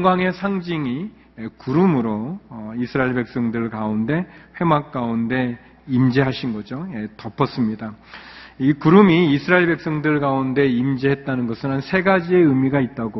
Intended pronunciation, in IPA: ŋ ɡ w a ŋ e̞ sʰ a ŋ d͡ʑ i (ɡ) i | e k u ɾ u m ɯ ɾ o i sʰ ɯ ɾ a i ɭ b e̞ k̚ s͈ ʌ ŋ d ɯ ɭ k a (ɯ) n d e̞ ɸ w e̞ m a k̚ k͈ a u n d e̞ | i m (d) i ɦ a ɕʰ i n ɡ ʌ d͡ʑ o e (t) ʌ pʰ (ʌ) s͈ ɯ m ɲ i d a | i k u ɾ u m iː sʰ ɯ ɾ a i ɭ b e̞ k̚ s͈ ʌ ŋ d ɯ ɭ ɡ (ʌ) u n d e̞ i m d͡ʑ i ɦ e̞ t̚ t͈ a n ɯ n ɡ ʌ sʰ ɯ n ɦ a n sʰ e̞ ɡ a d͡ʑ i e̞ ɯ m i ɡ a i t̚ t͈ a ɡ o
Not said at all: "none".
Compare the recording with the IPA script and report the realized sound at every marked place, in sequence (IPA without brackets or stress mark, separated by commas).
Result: ŋ, u, d͡ʑ, t, ʌ, a